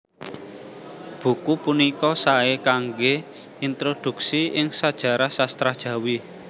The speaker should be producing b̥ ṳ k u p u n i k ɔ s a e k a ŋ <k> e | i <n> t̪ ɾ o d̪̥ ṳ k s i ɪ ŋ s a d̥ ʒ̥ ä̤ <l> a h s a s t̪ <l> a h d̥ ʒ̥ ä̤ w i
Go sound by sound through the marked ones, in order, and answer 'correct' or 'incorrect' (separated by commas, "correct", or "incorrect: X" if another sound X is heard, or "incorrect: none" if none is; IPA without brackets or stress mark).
incorrect: ɡ, correct, incorrect: ɾ, incorrect: ɾ